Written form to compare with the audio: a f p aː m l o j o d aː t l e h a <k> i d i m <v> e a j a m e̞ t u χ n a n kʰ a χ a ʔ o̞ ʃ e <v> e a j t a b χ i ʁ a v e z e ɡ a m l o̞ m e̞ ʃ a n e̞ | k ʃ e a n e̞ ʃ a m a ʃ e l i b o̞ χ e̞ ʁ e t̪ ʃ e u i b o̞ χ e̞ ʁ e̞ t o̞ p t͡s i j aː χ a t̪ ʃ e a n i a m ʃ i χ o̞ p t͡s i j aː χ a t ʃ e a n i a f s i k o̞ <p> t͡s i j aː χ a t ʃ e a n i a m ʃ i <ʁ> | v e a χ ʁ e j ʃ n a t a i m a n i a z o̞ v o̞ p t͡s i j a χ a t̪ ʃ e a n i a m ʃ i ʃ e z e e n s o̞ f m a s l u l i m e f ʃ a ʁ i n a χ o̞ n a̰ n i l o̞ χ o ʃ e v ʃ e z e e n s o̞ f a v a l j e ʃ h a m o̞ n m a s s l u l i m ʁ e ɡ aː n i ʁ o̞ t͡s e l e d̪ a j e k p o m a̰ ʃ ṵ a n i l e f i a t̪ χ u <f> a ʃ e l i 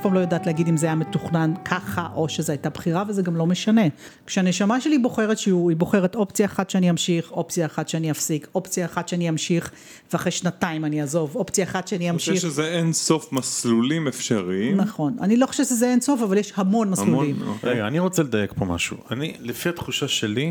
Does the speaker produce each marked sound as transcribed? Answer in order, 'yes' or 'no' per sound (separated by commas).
no, no, no, yes, no, no